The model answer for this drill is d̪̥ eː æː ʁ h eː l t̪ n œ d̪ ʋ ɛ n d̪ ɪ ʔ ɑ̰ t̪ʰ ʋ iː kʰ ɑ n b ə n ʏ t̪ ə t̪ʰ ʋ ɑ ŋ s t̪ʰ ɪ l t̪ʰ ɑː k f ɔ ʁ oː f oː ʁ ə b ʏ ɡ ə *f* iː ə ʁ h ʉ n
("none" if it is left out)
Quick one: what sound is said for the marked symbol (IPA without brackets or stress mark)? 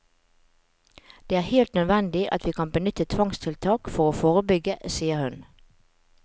s